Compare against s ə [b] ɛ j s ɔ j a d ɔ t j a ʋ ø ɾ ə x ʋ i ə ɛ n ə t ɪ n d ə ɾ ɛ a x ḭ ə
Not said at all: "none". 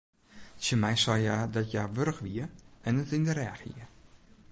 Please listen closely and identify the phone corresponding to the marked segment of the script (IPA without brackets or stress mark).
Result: m